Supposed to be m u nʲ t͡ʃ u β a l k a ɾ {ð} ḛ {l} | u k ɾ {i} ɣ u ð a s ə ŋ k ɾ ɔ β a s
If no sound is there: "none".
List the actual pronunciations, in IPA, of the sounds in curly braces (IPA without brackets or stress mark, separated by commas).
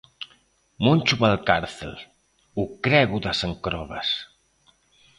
θ, l, ɛ